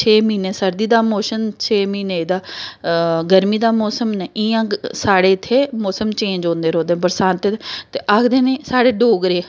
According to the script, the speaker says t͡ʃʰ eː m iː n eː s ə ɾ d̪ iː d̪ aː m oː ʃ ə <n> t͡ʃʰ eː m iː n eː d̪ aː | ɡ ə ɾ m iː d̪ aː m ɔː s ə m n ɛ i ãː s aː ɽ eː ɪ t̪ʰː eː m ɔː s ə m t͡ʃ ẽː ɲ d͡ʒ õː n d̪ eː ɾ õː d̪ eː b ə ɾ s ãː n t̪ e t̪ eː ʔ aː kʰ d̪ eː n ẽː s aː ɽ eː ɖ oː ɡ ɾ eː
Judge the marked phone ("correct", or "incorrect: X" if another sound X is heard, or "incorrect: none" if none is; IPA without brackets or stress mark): correct